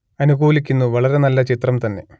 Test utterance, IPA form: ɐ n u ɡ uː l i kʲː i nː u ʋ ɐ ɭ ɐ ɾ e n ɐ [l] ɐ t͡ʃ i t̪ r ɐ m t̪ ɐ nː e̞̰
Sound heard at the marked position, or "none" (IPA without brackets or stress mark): lː